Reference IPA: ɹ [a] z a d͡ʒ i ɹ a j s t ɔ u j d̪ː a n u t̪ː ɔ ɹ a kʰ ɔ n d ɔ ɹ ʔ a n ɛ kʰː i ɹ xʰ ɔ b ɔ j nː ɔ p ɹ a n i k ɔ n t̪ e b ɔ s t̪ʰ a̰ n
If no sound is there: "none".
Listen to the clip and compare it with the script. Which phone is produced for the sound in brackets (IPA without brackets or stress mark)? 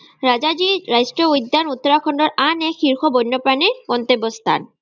a